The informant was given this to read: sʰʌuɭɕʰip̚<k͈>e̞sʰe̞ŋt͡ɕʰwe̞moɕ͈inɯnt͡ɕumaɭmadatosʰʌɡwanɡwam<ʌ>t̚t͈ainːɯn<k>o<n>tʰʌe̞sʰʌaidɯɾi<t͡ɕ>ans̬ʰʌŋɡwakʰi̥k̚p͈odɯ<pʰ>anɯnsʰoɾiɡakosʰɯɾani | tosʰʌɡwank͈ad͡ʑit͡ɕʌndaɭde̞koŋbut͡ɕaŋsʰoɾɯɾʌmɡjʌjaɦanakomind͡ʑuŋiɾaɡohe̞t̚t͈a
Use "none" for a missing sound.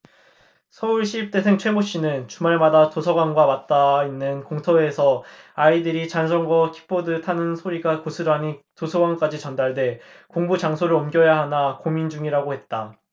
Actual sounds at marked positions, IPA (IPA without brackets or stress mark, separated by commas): t͈, a, k, ŋ, t͡ɕ, tʰ